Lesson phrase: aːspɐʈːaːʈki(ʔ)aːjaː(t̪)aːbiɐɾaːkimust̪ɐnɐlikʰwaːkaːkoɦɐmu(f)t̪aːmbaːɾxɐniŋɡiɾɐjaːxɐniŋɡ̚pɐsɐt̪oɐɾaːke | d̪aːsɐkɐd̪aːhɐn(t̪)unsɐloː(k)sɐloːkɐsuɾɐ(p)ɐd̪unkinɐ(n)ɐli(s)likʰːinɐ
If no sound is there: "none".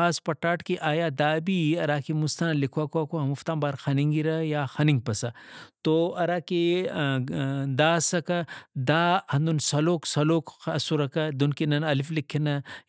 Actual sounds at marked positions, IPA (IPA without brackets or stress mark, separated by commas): ʔ, d̪, f, d̪, k, k, n, f